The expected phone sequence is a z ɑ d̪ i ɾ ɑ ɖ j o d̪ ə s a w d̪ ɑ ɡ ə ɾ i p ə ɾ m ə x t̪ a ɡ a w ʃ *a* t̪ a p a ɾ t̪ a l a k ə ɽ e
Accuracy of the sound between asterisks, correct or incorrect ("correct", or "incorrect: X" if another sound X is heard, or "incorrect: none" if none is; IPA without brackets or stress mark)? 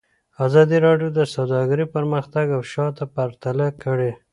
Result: incorrect: ɑ